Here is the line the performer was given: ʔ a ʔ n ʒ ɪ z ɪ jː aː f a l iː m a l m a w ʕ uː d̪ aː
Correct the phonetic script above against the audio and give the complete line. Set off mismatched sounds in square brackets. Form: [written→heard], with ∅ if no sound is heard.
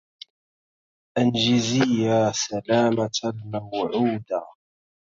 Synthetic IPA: ʔ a [ʔ→∅] n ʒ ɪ z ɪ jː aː [f→s] a l [iː→aː] m a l m a w ʕ uː d̪ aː